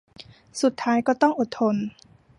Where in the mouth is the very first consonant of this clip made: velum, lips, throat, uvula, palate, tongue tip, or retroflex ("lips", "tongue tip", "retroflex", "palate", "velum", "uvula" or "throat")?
tongue tip